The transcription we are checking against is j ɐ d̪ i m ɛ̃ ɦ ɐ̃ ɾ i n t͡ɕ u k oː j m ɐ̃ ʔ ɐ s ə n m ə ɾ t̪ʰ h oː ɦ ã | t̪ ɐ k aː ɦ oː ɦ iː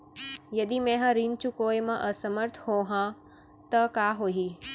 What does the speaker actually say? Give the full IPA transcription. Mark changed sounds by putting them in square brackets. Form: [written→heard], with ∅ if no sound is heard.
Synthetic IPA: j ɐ d̪ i m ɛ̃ ɦ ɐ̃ ɾ i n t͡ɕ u k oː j m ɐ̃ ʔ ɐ s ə [n→∅] m ə ɾ t̪ʰ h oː ɦ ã | t̪ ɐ k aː ɦ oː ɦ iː